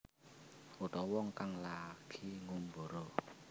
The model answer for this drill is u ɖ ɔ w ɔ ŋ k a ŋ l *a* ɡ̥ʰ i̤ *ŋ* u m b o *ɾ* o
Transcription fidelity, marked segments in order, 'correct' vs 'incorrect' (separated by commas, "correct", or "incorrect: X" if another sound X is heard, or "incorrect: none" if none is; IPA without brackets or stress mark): correct, correct, correct